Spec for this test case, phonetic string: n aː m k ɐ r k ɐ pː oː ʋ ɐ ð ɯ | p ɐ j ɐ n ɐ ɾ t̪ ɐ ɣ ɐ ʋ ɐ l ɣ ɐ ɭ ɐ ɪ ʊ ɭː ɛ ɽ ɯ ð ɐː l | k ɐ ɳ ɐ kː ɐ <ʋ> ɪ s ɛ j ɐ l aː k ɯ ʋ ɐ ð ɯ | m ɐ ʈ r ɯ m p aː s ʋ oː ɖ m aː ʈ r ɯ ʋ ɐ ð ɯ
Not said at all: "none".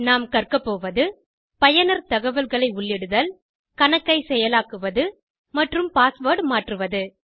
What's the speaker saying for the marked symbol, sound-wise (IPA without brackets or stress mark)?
none